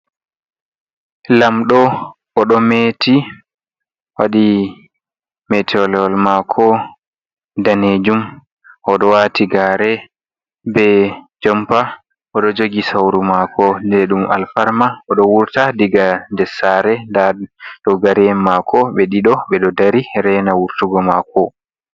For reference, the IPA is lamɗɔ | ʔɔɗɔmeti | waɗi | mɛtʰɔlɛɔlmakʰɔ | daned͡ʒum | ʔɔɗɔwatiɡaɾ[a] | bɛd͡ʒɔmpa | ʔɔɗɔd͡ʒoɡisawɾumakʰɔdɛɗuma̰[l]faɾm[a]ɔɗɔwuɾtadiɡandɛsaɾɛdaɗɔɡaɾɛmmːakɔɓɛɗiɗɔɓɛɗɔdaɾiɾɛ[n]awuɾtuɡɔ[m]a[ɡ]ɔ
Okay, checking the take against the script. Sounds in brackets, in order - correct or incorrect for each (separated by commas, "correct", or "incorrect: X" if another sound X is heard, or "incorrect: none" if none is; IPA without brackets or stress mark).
incorrect: ɛ, correct, correct, correct, correct, incorrect: k